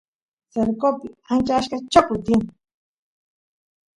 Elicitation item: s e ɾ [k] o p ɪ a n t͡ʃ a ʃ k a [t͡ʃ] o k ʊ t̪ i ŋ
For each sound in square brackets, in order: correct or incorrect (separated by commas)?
correct, correct